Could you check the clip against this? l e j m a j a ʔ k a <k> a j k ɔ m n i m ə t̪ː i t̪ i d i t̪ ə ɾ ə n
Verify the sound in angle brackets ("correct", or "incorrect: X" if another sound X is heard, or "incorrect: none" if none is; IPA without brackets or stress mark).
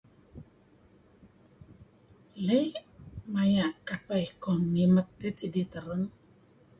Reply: incorrect: p